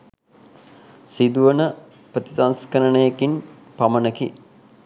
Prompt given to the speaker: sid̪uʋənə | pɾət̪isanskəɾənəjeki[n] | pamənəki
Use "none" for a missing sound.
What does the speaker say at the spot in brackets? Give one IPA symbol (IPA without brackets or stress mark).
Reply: n